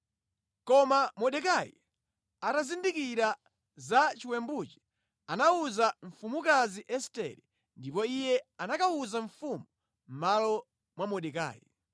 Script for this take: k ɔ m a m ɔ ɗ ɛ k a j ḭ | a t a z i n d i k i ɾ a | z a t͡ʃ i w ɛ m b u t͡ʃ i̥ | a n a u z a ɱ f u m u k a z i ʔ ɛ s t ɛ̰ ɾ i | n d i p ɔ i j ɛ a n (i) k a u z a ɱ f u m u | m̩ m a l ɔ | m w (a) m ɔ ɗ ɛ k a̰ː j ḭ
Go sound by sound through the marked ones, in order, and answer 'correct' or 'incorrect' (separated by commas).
incorrect, correct